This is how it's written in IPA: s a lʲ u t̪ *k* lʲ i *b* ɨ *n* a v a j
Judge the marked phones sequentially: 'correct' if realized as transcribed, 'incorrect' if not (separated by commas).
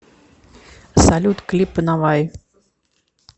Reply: correct, incorrect, correct